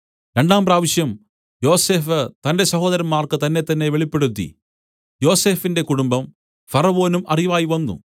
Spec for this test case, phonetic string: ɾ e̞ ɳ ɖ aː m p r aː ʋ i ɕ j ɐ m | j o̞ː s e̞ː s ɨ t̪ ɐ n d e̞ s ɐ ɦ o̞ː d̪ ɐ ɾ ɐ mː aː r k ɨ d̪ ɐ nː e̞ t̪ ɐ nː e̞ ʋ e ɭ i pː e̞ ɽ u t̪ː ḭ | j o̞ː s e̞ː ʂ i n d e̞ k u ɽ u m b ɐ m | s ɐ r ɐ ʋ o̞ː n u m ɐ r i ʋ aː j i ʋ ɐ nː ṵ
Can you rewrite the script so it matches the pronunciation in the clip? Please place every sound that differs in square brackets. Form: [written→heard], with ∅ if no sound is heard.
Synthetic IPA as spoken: ɾ e̞ ɳ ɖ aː m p r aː ʋ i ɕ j ɐ m | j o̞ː s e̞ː [s→f] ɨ t̪ ɐ n d e̞ s ɐ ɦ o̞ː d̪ ɐ ɾ ɐ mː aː r k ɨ [d̪→t̪] ɐ nː e̞ t̪ ɐ nː e̞ ʋ e ɭ i pː e̞ ɽ u t̪ː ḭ | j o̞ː s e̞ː [ʂ→f] i n d e̞ k u ɽ u m b ɐ m | [s→f] ɐ r ɐ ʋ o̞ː n u m ɐ r i ʋ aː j i ʋ ɐ nː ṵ